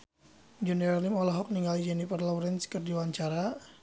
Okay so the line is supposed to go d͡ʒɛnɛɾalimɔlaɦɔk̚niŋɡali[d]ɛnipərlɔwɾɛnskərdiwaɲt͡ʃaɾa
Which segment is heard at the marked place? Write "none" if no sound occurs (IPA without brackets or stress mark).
d͡ʒ